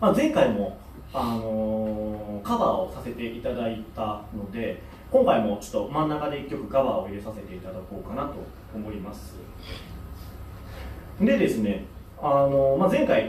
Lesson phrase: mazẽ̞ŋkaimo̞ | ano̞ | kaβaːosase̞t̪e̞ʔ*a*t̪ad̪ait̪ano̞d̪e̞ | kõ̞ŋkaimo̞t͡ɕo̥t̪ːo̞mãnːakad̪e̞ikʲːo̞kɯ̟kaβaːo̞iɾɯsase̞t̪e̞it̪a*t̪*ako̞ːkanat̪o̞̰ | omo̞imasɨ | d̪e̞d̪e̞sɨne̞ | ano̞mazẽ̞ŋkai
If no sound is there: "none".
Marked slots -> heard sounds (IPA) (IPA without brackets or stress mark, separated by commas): i, d̪